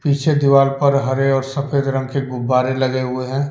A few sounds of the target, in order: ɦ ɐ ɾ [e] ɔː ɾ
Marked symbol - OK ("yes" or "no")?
yes